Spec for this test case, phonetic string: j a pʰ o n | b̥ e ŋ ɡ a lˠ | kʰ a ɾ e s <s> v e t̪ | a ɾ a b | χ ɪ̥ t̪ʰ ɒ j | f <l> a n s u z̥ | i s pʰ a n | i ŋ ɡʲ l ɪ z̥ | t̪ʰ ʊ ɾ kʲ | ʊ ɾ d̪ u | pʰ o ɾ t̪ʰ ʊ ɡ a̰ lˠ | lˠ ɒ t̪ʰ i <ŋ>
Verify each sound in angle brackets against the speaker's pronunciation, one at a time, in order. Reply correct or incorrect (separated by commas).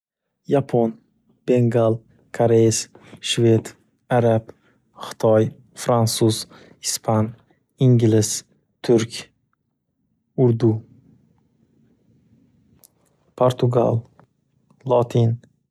incorrect, incorrect, incorrect